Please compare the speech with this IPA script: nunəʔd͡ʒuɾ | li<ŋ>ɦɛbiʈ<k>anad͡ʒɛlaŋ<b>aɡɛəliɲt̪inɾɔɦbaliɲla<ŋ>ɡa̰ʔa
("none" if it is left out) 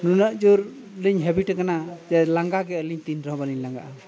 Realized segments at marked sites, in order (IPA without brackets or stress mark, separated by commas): ɲ, k, ɡ, ŋ